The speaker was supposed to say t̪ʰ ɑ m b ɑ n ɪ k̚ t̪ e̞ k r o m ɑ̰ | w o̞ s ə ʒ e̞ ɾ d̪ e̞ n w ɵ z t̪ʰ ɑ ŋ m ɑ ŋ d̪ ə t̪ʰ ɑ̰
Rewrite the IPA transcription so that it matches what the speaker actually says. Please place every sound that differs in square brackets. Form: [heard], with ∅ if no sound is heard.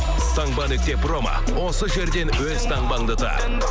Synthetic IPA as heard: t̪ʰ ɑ [ŋ] b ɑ n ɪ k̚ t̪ e̞ [p] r o m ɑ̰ | w o̞ s ə ʒ e̞ ɾ d̪ e̞ n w ɵ z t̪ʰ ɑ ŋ [b] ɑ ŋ d̪ ə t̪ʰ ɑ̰